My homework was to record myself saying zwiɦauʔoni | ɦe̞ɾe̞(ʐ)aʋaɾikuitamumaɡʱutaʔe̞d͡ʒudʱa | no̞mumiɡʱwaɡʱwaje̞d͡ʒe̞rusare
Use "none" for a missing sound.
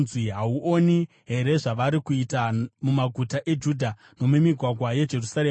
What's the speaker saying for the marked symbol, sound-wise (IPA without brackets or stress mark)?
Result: ʐ